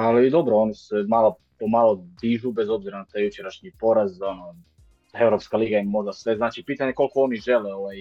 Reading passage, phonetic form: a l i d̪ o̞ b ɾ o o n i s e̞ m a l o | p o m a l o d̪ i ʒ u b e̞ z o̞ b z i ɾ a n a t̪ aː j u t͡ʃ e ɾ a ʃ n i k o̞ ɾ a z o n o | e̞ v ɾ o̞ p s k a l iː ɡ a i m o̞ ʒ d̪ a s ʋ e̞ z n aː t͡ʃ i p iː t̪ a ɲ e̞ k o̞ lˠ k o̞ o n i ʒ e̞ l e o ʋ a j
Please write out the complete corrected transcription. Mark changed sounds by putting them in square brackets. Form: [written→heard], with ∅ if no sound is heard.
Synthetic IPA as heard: a l i d̪ o̞ b ɾ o o n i s e̞ m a l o | p o m a l o d̪ i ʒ u b e̞ z o̞ b z i ɾ a n a t̪ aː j u t͡ʃ e ɾ a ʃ [n→ɲ] i [k→p] o̞ ɾ a z o n o | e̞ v ɾ o̞ p s k a l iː ɡ a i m o̞ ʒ d̪ a s ʋ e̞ z n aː t͡ʃ i p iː t̪ a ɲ e̞ k o̞ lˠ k o̞ o n i ʒ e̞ l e o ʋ a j